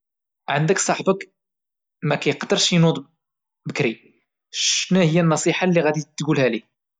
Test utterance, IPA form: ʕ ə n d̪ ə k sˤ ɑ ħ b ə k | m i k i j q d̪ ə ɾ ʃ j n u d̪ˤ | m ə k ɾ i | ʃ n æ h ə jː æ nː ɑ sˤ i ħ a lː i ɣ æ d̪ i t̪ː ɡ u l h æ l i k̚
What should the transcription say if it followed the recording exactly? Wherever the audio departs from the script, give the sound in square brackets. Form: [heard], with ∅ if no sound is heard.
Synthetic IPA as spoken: ʕ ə n d̪ ə k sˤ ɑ ħ b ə k | m [æ] k [æ] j q d̪ ə ɾ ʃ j n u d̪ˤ | [b] ə k ɾ i | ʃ n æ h ə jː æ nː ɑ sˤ i ħ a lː i ɣ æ d̪ i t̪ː ɡ u l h æ l i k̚

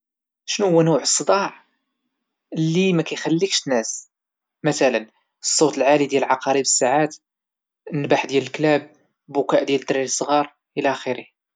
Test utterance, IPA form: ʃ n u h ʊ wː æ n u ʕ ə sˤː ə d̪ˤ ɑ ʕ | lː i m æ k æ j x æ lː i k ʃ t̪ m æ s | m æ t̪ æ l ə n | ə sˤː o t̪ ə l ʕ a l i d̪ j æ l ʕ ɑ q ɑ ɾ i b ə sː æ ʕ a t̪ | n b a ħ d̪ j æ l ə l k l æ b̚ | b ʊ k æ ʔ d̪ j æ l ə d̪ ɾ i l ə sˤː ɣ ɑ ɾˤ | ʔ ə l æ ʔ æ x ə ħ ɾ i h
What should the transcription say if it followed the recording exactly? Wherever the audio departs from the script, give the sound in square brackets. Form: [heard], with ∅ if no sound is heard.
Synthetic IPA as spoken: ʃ n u h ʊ wː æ n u ʕ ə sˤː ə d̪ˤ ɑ ʕ | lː i m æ k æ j x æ lː i k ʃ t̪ [n] æ s | m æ t̪ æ l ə n | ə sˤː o t̪ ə l ʕ a l i d̪ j æ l ʕ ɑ q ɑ ɾ i b ə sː [a] ʕ a t̪ | n b a ħ d̪ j æ l ə l k l æ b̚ | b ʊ k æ ʔ d̪ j æ l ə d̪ ɾ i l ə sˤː ɣ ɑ ɾˤ | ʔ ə l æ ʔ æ x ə [∅] ɾ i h

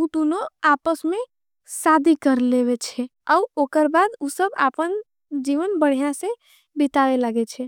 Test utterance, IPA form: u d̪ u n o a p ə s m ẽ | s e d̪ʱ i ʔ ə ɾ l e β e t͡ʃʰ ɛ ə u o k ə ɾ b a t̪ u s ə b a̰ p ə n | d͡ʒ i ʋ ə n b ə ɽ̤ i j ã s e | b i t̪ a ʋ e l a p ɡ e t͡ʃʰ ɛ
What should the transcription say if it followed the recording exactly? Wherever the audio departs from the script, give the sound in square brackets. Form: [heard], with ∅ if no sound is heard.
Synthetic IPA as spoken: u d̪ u n o a p ə s m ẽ | s [a] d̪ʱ i [k] ə ɾ l e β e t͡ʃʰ ɛ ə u o k ə ɾ b a [d̪] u s ə b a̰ p ə n | d͡ʒ i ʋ ə n b ə ɽ̤ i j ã s e | b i t̪ a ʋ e l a [∅] ɡ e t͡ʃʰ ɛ

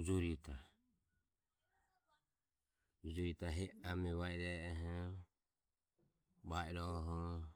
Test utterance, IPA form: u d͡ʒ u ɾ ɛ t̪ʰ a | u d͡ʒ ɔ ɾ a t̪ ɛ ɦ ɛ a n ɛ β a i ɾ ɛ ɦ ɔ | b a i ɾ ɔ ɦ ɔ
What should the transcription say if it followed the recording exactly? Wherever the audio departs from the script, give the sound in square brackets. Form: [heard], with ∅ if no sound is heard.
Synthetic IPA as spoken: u d͡ʒ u ɾ [i] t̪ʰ a | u d͡ʒ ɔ ɾ [i] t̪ [a] ɦ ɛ a [m] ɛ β a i ɾ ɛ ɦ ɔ | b a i ɾ ɔ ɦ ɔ

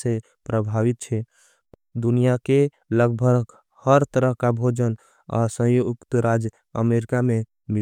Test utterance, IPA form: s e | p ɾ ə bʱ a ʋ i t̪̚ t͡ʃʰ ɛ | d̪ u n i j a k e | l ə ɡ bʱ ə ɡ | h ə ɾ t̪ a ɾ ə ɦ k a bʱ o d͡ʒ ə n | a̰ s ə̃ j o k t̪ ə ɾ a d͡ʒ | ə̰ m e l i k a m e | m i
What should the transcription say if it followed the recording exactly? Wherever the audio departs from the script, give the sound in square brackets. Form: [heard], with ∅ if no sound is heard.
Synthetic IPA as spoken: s e | p ɾ ə bʱ a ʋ i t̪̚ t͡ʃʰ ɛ | d̪ u n i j a k e | l ə ɡ bʱ ə ɡ | h ə ɾ t̪ [ə] ɾ ə ɦ k a bʱ o d͡ʒ ə n | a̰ s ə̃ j o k t̪ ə ɾ a d͡ʒ | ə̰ m e [ɾ] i k a m e | m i

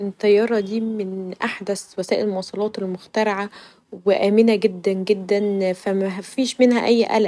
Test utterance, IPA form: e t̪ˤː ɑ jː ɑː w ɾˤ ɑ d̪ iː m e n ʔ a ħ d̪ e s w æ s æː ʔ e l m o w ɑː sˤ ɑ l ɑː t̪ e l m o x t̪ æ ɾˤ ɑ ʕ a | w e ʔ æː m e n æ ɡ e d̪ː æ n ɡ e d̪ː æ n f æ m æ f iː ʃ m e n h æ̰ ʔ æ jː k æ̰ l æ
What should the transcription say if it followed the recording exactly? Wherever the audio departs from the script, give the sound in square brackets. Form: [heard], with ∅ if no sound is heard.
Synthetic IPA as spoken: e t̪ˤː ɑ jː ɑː [∅] ɾˤ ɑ d̪ iː m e n ʔ a ħ d̪ [æ] s w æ s æː ʔ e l m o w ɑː sˤ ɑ l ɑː t̪ e l m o x t̪ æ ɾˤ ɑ ʕ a | w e ʔ æː m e n æ ɡ e d̪ː æ n ɡ e d̪ː æ n f æ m æ f iː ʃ m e n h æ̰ ʔ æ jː [ʔ] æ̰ l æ

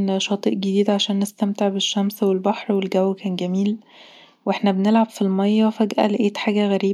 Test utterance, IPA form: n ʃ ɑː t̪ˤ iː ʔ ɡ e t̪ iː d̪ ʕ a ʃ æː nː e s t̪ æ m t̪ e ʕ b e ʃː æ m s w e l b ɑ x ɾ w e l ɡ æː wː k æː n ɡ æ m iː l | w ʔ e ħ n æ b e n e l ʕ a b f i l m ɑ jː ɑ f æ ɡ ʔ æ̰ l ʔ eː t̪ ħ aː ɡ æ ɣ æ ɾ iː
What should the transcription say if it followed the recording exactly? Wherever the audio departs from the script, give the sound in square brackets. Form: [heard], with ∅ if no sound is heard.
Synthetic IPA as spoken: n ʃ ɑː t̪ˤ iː ʔ ɡ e [d̪] iː d̪ ʕ a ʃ æː nː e s t̪ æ m t̪ e ʕ b e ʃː æ m s w e l b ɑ [ħ] ɾ w e l ɡ [æ] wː k æː n ɡ æ m iː l | w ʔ e ħ n æ b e n e l ʕ a b f i l m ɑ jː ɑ f æ ɡ ʔ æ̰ l ʔ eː t̪ ħ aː ɡ æ ɣ æ ɾ iː

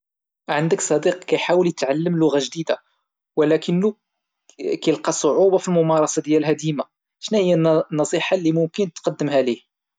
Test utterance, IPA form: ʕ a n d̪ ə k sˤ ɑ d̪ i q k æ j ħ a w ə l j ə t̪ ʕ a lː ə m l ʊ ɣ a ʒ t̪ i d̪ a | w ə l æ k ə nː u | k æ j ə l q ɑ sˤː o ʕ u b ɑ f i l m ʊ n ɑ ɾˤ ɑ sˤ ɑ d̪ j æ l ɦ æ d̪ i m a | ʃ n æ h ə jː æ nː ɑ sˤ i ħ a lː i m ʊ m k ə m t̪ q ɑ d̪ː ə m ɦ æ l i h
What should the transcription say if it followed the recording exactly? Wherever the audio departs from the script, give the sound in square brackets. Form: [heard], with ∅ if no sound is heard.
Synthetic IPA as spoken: ʕ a n d̪ ə k sˤ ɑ d̪ i q k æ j ħ a w ə l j ə t̪ ʕ a lː ə m l ʊ ɣ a ʒ [d̪] i d̪ a | w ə l æ k ə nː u | k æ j ə l q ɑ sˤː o ʕ u b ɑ f i l m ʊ [m] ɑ ɾˤ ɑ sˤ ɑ d̪ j æ l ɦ æ d̪ i m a | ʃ n æ h ə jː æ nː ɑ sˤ i ħ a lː i m ʊ m k ə [n] t̪ q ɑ d̪ː ə m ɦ æ l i h

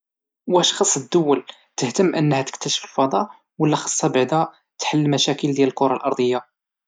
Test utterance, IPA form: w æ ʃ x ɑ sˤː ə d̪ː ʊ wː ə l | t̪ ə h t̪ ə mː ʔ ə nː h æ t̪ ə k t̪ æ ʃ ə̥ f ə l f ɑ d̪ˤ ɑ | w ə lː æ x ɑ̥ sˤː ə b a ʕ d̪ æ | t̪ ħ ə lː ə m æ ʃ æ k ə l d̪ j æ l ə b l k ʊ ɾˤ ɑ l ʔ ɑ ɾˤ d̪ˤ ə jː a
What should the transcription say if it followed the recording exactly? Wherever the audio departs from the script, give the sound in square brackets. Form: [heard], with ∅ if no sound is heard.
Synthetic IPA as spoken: w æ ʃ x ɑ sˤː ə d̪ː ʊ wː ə l | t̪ ə h t̪ ə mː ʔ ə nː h æ t̪ ə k t̪ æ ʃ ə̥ f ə l f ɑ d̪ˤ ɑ | w ə lː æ x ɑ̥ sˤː [ɑ] b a ʕ d̪ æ | t̪ ħ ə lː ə m æ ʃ æ k ə l d̪ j æ l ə [∅] l k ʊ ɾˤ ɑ l ʔ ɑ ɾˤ d̪ˤ ə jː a

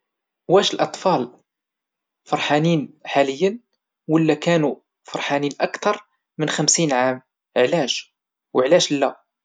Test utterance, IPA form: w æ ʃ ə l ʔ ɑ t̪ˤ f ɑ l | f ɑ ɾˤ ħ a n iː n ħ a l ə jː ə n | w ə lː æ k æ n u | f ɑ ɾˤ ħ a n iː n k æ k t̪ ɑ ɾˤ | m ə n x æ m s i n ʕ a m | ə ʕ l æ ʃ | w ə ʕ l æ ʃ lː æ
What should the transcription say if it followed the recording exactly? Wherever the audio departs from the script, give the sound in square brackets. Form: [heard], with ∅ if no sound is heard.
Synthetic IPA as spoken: w æ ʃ ə l ʔ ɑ t̪ˤ f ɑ l | f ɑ ɾˤ ħ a n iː n ħ a l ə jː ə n | w ə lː æ k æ n u | f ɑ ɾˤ ħ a n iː n [ʔ] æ k t̪ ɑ ɾˤ | m ə n x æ m s i n ʕ a m | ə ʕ l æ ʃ | w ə ʕ l æ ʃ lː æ

